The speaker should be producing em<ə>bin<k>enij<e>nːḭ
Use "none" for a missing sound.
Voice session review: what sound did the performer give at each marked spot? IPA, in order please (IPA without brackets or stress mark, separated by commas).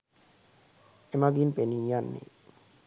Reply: a, p, a